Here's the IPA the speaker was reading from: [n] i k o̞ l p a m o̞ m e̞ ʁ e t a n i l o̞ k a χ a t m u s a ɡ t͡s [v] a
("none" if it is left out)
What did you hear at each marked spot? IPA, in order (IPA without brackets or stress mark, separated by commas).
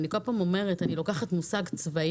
n, v